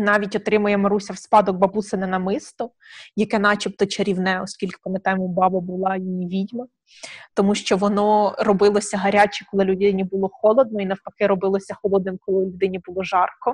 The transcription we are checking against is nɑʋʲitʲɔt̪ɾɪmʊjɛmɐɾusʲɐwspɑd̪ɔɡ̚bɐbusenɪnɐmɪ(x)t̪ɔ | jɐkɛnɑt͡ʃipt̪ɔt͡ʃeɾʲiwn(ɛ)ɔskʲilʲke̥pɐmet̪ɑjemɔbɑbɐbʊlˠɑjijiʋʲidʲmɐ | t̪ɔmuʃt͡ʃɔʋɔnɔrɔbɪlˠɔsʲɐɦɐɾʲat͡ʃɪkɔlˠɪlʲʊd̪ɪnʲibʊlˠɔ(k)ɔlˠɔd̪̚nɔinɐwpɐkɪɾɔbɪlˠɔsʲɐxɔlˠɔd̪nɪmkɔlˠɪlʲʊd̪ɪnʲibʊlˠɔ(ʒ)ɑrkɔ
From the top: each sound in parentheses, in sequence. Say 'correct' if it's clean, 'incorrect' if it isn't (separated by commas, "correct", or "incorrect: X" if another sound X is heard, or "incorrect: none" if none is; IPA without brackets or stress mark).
incorrect: s, correct, incorrect: x, correct